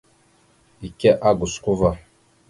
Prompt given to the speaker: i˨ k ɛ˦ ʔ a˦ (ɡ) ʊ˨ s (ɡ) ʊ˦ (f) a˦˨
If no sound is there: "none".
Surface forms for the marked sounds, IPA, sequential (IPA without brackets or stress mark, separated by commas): ɡ, k, v